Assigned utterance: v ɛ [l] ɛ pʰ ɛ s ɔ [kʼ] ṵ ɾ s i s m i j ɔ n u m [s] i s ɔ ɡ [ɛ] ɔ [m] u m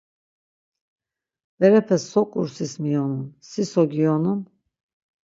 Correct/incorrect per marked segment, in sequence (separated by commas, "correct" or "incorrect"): incorrect, correct, correct, incorrect, incorrect